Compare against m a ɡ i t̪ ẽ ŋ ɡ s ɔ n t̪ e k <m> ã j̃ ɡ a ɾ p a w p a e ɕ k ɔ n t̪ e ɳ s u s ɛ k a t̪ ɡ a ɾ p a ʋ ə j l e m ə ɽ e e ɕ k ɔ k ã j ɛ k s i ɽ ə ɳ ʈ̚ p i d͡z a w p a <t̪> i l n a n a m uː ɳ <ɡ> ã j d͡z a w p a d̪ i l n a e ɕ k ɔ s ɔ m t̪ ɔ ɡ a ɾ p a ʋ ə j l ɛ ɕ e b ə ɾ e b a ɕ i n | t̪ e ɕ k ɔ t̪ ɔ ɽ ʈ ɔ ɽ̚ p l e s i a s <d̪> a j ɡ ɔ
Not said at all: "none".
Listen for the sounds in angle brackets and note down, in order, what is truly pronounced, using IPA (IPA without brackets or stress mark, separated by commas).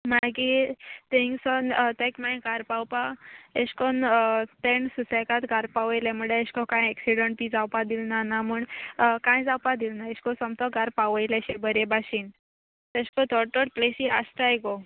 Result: m, d̪, k, t̪